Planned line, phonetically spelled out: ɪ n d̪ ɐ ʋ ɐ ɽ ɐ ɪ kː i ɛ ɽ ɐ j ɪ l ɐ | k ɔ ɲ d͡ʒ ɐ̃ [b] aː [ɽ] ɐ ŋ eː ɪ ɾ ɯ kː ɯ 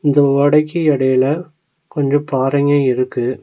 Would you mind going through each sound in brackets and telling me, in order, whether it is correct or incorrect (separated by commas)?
incorrect, incorrect